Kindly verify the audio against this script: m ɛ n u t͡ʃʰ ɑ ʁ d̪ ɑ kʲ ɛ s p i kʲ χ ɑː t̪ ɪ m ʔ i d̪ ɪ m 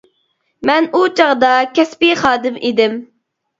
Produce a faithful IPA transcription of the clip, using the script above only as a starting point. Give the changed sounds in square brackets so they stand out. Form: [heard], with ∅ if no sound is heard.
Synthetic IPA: m ɛ n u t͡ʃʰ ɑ ʁ d̪ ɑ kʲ ɛ s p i [∅] χ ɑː [d̪] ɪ m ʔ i d̪ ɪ m